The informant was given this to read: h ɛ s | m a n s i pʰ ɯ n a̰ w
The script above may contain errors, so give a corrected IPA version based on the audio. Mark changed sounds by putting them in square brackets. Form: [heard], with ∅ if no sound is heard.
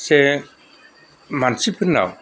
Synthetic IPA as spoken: [s] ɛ [∅] | m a n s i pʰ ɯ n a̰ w